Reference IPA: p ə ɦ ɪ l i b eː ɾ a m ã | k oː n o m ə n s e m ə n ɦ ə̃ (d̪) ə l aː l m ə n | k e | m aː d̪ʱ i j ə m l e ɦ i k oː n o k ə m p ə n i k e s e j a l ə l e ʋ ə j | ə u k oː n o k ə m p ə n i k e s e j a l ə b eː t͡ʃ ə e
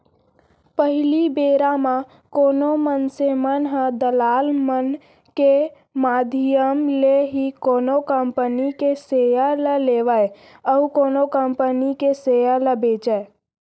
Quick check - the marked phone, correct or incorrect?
correct